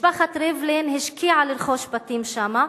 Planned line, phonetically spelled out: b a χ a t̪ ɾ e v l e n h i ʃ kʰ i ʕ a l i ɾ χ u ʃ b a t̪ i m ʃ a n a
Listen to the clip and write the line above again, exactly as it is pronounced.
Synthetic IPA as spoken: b a χ a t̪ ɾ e v l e n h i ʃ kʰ i ʕ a l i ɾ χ o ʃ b a t̪ i m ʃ a m a

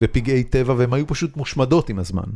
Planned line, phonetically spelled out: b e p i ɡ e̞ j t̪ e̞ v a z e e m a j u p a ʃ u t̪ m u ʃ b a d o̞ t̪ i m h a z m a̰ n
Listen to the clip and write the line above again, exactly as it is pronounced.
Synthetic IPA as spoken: v e p i ɡ e̞ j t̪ e̞ v a v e e m a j u p a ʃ u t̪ m u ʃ m a d o̞ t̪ i m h a z m a̰ n

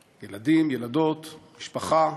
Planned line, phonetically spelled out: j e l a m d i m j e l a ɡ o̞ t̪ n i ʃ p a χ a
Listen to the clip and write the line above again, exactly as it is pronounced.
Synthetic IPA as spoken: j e l a d i m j e l a d o̞ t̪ m i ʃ p a χ a

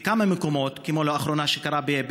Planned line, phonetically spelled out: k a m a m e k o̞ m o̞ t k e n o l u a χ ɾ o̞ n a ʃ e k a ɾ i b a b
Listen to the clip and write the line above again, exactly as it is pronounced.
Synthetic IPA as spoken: k a m a m e k o̞ m o̞ t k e m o l o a χ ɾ o̞ n a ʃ e k a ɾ a b e b

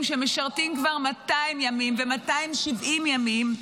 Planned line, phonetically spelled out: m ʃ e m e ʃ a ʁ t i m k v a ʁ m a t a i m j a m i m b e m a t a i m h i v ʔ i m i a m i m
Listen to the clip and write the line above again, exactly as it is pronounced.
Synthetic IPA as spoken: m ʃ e m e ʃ a ʁ t i m k v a ʁ m a t a i m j a m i m v e m a t a i m ʃ i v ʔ i m j a m i m

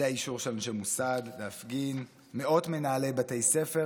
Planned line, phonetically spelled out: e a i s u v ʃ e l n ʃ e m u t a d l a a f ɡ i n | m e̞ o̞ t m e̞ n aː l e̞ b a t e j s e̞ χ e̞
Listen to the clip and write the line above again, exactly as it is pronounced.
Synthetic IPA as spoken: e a i ʃ u ʁ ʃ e l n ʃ e m u s a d l e a f ɡ i n | m e̞ o̞ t m e̞ n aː l e̞ b a t e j s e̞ f e̞

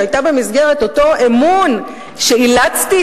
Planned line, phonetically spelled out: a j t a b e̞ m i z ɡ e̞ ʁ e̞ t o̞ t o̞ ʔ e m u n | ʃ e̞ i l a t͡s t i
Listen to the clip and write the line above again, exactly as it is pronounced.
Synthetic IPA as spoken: a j t a b e̞ m i z ɡ e̞ ʁ e̞ t o̞ t o̞ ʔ e m u n | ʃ e̞ i l a t͡s t i

